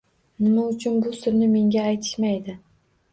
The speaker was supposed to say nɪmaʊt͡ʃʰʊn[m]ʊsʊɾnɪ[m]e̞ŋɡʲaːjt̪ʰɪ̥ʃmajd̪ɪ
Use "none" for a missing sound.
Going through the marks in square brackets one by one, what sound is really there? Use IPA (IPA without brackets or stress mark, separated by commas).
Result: b, m